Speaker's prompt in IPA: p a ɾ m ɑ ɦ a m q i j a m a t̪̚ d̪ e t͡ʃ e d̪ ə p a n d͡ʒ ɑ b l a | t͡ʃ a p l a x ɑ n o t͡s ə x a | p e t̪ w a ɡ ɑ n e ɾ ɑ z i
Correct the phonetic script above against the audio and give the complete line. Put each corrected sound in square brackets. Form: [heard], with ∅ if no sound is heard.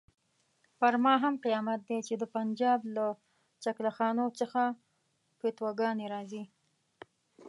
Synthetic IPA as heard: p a ɾ m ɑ ɦ a m q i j [ɑ] m a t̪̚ d̪ e t͡ʃ e d̪ ə p a n d͡ʒ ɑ b l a | t͡ʃ a [k] l a x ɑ n o t͡s ə x a | p e t̪ w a ɡ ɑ n e ɾ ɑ z i